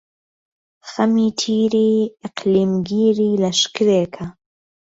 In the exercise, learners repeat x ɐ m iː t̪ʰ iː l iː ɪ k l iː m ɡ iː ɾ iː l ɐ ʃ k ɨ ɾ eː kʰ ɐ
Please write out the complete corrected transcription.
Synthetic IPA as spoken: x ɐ m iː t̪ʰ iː ɾ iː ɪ q l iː m ɡ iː ɾ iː l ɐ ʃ k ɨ ɾ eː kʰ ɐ